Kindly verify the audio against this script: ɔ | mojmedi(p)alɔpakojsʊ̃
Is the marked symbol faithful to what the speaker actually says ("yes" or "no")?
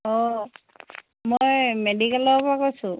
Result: no